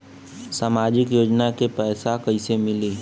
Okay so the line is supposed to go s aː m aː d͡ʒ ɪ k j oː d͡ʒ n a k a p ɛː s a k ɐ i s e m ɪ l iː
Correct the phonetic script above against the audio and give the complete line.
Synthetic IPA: s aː m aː d͡ʒ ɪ k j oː d͡ʒ n a k e p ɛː s a k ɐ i s e m ɪ l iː